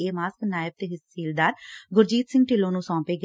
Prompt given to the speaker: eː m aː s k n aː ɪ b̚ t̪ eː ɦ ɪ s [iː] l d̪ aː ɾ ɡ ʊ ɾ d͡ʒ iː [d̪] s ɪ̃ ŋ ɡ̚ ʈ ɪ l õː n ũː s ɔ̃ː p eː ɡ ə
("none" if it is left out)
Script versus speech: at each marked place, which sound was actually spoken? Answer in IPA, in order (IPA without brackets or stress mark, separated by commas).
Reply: iː, t̪